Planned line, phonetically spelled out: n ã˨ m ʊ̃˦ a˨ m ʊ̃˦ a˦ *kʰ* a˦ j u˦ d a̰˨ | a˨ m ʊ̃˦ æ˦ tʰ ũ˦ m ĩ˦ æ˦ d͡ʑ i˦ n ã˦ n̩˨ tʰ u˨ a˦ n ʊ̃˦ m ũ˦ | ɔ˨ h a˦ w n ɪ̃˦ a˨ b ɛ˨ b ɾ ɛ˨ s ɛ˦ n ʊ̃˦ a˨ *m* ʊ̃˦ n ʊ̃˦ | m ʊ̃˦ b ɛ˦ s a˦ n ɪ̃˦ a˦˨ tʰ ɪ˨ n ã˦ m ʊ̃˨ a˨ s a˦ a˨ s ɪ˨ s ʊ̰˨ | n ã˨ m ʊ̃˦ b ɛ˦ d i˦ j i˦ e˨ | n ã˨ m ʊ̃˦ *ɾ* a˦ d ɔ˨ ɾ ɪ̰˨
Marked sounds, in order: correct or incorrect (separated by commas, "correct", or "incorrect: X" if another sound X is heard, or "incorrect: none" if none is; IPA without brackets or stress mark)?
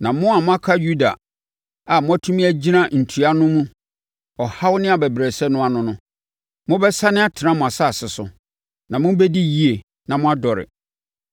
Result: correct, incorrect: n, incorrect: none